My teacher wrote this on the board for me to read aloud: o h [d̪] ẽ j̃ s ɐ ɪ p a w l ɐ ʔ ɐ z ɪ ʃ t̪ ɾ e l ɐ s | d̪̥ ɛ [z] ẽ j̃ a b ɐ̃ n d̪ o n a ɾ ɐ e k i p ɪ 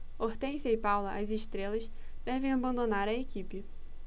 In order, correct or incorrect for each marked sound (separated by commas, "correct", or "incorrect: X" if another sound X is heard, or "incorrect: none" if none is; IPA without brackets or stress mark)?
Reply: incorrect: t̪, incorrect: v